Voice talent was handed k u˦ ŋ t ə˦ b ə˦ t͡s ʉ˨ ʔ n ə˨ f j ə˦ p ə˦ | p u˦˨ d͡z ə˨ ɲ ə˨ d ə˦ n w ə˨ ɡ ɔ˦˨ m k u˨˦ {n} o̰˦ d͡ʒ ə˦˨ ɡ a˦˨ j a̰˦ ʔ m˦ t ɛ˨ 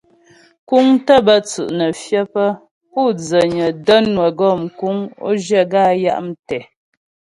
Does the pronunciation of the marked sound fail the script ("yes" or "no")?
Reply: yes